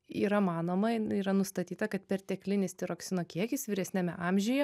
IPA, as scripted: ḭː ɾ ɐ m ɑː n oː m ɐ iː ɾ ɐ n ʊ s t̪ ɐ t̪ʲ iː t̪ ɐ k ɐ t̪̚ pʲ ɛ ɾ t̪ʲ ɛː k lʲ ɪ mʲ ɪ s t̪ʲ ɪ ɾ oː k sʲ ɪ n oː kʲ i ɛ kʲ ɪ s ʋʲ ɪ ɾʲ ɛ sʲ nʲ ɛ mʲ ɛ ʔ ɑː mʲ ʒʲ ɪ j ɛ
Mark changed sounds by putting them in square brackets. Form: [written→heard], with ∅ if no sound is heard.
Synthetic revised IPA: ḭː ɾ ɐ m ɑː n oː m ɐ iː ɾ ɐ n ʊ s t̪ ɐ t̪ʲ iː t̪ ɐ k ɐ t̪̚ pʲ ɛ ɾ t̪ʲ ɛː k lʲ ɪ [mʲ→nʲ] ɪ s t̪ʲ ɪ ɾ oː k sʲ ɪ n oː kʲ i ɛ kʲ ɪ s ʋʲ ɪ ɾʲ ɛ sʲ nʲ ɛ mʲ ɛ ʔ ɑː mʲ ʒʲ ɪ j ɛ